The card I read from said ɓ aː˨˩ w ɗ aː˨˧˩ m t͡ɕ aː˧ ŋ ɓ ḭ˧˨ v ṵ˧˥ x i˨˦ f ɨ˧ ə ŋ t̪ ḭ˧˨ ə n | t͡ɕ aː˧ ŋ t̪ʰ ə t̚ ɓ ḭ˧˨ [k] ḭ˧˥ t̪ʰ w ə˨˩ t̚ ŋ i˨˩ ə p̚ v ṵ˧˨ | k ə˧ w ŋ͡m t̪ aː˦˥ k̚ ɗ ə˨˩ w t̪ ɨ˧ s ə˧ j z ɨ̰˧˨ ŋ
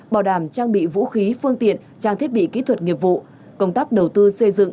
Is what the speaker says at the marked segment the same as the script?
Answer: yes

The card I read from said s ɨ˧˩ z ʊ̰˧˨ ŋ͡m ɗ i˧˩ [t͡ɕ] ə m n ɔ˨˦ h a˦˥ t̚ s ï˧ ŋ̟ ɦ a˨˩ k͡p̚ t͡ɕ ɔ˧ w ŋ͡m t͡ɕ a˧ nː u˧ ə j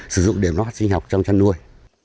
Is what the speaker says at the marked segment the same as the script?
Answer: no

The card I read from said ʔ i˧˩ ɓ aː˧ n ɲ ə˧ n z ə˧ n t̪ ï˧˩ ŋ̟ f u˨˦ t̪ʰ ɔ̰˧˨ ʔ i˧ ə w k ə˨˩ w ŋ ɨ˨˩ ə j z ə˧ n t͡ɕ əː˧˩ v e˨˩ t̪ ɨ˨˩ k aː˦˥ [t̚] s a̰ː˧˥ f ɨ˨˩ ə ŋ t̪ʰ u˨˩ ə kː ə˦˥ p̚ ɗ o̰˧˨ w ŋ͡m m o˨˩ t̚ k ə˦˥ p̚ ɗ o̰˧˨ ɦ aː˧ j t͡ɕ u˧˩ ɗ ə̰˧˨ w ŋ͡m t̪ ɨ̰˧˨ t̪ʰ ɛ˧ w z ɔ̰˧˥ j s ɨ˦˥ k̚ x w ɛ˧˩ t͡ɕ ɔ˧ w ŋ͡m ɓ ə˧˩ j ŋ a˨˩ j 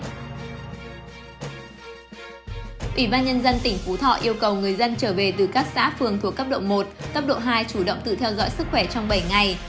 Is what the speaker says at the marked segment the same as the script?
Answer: no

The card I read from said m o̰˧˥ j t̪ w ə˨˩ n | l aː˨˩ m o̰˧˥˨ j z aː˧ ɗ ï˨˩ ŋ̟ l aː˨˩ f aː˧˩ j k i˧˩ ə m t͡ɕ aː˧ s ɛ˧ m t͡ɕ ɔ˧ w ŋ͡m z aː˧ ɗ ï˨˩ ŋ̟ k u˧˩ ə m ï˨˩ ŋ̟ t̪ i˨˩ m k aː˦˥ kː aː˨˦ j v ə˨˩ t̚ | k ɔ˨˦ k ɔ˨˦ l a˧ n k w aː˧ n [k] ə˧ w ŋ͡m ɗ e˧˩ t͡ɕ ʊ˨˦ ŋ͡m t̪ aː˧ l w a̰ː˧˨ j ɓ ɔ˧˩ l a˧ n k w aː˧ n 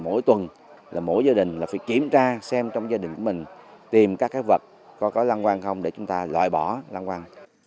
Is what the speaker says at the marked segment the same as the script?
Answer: no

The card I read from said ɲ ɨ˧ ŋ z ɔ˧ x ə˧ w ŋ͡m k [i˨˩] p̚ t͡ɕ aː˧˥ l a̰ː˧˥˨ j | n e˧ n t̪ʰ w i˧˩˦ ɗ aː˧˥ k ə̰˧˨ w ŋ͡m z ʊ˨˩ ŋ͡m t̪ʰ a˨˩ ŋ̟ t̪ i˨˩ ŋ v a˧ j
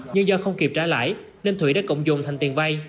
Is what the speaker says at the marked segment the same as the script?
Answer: yes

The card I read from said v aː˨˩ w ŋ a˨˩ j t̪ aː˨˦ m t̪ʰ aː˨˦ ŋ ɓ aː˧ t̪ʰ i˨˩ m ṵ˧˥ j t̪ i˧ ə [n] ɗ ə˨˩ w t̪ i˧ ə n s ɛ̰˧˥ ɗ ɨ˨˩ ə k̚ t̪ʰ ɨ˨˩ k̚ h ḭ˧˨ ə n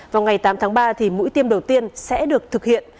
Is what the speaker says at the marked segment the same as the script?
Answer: no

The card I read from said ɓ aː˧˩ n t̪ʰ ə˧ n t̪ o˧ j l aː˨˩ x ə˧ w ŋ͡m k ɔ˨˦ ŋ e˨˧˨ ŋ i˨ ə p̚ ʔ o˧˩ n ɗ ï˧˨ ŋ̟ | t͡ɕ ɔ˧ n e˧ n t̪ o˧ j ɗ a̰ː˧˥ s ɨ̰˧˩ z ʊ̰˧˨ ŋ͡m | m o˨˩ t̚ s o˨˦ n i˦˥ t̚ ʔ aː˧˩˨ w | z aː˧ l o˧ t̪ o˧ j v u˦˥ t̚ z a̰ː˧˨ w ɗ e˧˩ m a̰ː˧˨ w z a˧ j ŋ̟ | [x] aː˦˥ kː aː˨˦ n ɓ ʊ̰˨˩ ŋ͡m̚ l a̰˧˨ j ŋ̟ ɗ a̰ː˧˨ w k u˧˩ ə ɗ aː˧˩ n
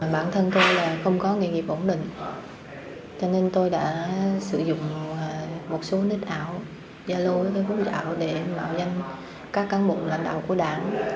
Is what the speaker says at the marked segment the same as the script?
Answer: no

